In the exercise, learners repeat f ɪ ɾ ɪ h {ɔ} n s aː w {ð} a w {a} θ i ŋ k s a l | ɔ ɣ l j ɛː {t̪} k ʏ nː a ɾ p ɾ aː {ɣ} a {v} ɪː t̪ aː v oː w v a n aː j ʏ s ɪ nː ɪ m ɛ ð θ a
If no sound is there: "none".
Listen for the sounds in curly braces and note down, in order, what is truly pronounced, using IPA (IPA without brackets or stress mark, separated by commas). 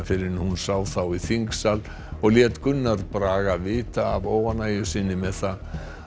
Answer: u, θ, i, t̪, ɣ, v